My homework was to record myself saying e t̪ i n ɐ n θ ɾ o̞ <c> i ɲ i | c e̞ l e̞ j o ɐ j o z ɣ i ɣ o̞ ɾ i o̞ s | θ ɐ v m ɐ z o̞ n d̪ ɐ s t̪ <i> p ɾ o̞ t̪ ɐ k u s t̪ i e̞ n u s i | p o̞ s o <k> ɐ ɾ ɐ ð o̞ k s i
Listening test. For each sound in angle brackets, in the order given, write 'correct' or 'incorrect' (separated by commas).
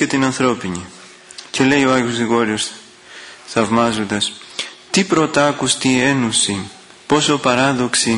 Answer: incorrect, correct, incorrect